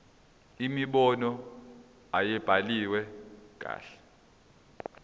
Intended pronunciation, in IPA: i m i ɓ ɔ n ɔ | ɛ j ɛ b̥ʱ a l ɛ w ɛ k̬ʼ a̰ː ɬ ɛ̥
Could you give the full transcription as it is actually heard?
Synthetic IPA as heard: i m i ɓ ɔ n ɔ | a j ɛ b̥ʱ a l i w ɛ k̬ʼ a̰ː ɬ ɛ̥